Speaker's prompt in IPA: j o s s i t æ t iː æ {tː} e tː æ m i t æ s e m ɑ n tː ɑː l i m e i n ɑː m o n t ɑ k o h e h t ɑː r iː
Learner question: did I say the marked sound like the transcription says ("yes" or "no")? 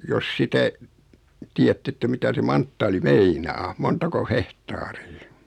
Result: yes